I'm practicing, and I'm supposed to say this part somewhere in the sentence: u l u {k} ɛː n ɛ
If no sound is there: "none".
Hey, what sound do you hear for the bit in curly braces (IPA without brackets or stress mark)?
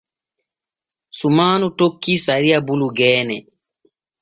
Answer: ɡ